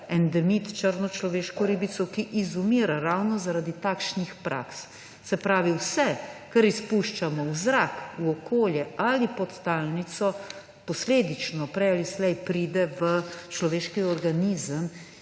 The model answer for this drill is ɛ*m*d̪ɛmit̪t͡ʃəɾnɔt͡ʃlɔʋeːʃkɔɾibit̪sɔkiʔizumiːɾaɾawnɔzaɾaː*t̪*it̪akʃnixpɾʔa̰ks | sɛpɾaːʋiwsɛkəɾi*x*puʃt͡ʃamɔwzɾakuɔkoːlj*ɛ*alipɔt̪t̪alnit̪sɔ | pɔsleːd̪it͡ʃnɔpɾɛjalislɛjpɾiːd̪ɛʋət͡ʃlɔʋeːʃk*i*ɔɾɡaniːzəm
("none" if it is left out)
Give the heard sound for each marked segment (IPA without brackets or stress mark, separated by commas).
n, d̪, s, ɛ, i